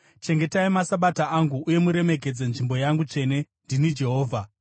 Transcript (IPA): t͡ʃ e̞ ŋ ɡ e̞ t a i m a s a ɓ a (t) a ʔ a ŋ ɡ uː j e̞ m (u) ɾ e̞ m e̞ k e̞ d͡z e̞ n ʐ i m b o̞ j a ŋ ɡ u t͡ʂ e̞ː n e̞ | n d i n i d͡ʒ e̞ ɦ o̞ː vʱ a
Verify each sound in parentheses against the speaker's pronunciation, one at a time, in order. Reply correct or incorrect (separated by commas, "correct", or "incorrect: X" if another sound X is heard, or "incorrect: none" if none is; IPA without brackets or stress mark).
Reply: correct, correct